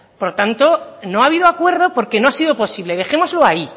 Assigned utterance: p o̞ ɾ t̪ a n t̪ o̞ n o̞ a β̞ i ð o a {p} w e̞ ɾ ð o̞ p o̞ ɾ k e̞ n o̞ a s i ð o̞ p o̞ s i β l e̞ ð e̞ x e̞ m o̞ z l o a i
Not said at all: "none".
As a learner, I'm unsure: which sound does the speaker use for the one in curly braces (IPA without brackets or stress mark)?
k